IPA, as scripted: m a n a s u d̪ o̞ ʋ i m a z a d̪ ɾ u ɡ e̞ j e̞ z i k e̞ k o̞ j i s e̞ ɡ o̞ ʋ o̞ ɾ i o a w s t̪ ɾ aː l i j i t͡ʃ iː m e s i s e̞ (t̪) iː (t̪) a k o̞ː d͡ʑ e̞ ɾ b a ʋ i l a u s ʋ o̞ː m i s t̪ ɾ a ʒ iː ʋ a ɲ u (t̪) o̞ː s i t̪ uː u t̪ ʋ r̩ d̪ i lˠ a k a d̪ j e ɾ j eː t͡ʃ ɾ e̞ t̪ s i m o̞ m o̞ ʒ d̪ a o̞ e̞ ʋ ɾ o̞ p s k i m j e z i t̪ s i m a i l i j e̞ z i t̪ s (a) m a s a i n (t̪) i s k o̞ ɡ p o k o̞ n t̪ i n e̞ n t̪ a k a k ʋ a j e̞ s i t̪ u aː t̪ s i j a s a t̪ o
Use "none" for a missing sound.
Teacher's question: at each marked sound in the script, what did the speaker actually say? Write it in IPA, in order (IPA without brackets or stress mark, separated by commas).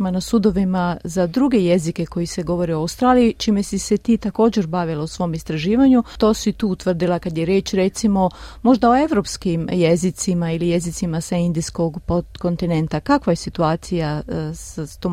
t̪, t̪, t̪, i, d̪